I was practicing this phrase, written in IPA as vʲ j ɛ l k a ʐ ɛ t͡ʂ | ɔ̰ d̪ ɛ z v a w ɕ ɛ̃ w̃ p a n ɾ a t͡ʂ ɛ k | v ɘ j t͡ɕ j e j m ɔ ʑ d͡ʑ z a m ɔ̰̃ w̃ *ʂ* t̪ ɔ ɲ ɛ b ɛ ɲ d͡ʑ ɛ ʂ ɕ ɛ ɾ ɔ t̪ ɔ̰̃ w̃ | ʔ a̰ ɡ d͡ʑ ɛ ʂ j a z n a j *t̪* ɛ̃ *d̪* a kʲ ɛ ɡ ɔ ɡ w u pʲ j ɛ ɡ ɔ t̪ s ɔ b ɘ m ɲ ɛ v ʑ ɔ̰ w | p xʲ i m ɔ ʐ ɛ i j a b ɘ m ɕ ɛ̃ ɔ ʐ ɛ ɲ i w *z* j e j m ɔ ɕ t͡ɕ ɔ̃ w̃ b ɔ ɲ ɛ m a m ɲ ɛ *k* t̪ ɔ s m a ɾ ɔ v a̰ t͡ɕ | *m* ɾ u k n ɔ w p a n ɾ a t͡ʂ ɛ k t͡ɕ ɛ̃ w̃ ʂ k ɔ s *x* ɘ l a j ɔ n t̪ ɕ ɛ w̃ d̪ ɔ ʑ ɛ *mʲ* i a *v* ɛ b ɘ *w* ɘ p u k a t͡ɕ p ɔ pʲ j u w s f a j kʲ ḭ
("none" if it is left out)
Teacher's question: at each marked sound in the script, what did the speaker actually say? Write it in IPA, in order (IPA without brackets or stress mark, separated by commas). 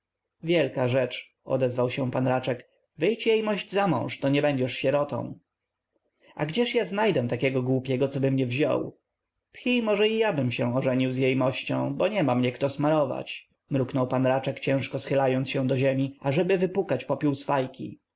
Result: ʂ, d̪, t̪, z, k, m, x, mʲ, ʐ, v